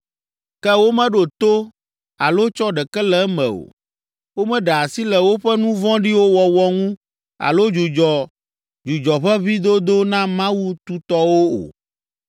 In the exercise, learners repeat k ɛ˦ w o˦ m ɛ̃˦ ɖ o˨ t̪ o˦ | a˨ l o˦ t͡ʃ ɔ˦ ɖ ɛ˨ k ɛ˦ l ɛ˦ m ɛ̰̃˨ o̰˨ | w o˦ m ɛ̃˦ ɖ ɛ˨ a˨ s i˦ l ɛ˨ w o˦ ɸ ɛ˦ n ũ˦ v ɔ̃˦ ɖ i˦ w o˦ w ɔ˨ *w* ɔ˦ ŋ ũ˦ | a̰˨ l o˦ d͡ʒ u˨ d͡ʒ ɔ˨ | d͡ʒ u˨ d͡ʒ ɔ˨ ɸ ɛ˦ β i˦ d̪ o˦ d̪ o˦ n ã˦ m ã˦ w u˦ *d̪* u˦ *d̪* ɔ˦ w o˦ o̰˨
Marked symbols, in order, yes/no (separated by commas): yes, no, no